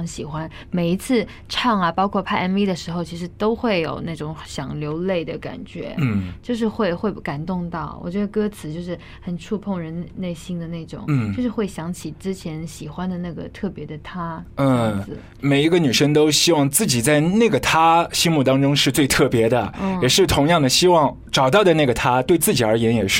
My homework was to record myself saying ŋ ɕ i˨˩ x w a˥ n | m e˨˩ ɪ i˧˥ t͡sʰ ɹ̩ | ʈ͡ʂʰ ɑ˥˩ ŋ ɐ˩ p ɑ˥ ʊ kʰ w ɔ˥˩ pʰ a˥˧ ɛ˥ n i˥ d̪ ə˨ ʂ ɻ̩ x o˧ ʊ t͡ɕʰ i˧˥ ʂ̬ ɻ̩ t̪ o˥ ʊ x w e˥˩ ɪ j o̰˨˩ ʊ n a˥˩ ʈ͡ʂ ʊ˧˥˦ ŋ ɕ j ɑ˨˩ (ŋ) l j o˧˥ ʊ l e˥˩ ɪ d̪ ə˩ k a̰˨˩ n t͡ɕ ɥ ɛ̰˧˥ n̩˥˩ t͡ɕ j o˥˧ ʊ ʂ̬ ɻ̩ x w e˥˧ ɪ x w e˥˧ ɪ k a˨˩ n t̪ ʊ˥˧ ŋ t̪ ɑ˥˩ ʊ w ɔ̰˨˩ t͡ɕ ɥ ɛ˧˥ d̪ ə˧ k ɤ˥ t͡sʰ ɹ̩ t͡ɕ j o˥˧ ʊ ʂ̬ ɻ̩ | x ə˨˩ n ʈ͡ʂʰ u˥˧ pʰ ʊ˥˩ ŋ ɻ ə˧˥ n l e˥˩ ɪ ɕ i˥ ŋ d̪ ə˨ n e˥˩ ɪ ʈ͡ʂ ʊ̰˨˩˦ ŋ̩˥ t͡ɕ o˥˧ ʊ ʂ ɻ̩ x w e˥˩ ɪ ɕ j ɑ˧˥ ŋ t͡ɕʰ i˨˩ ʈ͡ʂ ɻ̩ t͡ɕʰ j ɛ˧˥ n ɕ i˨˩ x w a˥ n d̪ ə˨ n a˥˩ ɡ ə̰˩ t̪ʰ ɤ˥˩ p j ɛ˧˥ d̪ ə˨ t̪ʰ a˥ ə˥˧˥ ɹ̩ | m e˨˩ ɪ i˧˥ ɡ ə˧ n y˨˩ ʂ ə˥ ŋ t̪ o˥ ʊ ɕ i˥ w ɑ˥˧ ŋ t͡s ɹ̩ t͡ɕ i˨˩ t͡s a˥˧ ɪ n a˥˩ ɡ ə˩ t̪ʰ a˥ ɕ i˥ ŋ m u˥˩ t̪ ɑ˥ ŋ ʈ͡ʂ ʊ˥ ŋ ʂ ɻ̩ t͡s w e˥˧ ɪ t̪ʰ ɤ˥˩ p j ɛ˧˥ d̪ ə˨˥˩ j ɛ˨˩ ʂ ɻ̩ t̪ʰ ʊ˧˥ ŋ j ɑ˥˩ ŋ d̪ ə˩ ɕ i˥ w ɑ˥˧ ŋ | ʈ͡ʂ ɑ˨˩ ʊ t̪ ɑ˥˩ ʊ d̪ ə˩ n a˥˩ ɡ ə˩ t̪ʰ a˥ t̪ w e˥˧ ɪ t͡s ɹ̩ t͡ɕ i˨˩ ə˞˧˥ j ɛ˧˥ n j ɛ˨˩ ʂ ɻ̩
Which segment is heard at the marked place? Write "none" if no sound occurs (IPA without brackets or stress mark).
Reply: ŋ